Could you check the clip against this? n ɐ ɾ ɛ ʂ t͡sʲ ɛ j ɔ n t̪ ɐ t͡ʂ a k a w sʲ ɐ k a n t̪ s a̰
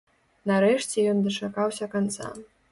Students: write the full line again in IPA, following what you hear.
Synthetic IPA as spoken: n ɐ ɾ ɛ ʂ t͡sʲ ɛ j ɔ n d̪ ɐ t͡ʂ a k a w sʲ ɐ k a n t̪ s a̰